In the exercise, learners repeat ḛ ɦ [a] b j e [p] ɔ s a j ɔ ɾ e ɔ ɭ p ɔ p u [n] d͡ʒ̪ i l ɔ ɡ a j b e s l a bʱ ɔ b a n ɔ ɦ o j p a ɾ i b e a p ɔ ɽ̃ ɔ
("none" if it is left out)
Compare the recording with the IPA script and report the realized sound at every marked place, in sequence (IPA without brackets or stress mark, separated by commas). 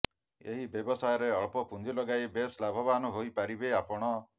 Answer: i, b, n